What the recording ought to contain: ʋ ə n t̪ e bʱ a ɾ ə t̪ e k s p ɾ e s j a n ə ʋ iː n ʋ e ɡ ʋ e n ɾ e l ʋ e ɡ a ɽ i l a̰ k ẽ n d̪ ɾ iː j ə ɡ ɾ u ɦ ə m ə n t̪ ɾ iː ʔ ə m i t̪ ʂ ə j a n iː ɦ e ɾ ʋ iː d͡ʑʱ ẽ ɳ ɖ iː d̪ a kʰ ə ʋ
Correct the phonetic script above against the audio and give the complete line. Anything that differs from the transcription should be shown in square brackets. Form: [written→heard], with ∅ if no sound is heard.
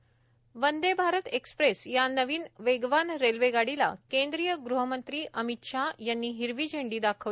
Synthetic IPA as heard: ʋ ə n [t̪→d̪] e bʱ a ɾ ə t̪ e k s p ɾ e s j a n ə ʋ iː n ʋ e ɡ ʋ [e→a] n ɾ e l ʋ e ɡ a ɽ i l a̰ k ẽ n d̪ ɾ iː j ə ɡ ɾ u ɦ ə m ə n t̪ ɾ iː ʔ ə m i t̪ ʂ [ə→a] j a [n→nː] iː ɦ [e→i] ɾ ʋ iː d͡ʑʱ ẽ ɳ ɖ iː d̪ a kʰ ə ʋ